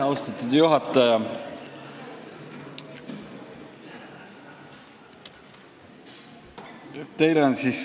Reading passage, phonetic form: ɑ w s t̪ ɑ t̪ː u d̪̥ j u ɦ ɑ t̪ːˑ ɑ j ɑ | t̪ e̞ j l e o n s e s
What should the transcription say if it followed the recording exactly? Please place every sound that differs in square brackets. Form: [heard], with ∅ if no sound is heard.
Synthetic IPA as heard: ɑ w s t̪ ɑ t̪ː u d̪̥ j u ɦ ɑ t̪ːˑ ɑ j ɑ | t̪ e̞ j l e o n s [i] s